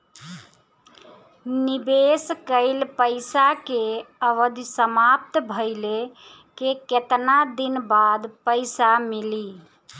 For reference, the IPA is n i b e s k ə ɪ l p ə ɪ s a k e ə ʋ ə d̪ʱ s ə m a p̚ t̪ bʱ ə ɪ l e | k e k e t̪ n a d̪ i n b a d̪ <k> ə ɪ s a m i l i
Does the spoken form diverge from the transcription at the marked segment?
yes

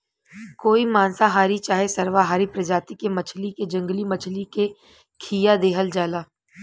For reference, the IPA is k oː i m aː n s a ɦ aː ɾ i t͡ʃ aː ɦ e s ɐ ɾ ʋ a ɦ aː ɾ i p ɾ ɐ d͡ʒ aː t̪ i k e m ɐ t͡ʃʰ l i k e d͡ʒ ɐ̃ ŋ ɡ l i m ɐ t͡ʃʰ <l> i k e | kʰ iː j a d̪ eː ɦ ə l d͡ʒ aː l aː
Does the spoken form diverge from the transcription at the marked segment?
no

